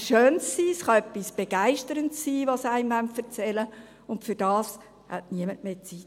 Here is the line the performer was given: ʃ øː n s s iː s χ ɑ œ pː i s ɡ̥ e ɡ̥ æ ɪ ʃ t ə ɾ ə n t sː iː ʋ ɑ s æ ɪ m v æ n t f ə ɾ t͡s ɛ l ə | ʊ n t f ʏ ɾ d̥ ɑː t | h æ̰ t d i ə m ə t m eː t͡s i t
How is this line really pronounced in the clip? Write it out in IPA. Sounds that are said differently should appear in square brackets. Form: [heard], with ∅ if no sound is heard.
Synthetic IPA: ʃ øː n s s iː s χ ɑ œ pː i s [b̥] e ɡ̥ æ ɪ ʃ t ə ɾ ə n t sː iː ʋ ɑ s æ ɪ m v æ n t f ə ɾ t͡s ɛ l ə | ʊ n t f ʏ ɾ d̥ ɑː [s] | h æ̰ t [n] i ə m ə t m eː t͡s i t